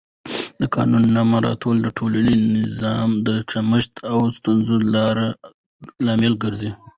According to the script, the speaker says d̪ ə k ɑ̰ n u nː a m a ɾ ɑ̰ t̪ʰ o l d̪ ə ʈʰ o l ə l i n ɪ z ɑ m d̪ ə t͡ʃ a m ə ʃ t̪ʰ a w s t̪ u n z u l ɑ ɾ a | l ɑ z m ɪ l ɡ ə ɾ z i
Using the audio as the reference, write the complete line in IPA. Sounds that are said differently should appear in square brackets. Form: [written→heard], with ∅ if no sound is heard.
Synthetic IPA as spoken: d̪ ə k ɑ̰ n u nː a m a ɾ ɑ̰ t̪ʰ o l d̪ ə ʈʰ o l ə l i n ɪ z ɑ m d̪ ə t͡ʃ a m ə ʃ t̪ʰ a w s t̪ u n z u l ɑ ɾ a | l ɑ [z→∅] m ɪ l ɡ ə ɾ z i